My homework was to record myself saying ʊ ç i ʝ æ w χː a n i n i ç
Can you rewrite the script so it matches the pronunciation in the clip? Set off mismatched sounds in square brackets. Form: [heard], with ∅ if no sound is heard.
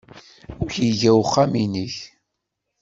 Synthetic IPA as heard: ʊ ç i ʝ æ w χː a [m] i n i ç